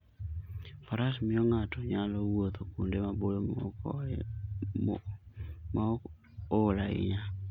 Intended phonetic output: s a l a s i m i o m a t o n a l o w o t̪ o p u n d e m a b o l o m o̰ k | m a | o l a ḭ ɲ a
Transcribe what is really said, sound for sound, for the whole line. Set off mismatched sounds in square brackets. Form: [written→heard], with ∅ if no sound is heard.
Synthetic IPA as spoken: [s→f] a [l→ɾ] a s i m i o [m→ŋ] a t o [n→ɲ] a l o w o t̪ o [p→k] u n d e m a b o l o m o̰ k | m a | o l a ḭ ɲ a